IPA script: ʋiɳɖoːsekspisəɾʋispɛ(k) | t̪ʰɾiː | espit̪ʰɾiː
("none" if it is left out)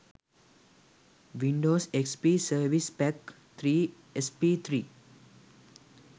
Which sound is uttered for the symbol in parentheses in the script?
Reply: k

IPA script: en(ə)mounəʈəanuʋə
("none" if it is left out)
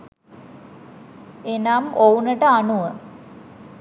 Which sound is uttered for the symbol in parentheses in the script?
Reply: a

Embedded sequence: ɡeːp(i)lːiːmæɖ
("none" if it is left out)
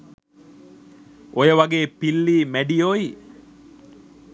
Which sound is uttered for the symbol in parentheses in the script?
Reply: i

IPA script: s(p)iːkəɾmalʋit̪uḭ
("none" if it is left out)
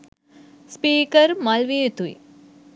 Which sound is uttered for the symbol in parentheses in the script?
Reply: p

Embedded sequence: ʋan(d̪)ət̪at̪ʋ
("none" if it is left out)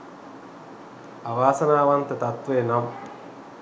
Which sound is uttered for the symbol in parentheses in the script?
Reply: t̪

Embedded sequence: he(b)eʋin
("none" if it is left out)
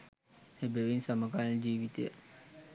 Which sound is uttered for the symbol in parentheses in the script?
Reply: b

